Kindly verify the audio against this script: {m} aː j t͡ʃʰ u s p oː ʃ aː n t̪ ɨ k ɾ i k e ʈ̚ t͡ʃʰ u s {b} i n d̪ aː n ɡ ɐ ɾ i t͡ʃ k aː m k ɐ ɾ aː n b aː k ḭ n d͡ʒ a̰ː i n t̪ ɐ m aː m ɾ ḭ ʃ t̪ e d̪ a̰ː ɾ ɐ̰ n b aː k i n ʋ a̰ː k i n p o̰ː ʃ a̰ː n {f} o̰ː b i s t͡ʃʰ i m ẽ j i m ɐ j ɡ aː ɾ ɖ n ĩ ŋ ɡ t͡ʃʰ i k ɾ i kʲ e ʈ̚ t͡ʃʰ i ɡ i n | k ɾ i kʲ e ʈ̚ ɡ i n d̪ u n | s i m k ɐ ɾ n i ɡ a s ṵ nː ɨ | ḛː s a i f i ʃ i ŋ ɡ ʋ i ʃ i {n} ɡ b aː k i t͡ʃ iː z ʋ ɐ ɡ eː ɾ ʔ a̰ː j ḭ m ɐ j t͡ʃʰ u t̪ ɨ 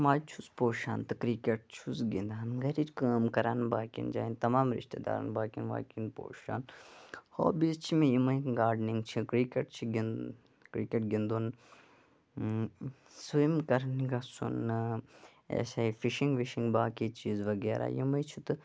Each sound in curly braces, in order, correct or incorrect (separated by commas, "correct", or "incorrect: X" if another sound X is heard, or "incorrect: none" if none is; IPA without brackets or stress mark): correct, incorrect: ɡ, incorrect: h, incorrect: ŋ